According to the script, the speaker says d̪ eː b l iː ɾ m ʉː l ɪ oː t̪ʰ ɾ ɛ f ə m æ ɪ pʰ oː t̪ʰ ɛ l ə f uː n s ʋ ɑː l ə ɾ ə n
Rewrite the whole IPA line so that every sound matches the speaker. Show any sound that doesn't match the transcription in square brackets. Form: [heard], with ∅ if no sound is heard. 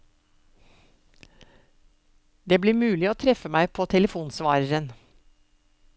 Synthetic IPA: d̪ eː b l iː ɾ m ʉː l ɪ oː t̪ʰ ɾ ɛ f ə m æ ɪ pʰ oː t̪ʰ ɛ l ə f uː n s ʋ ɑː [ɾ] ə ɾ ə n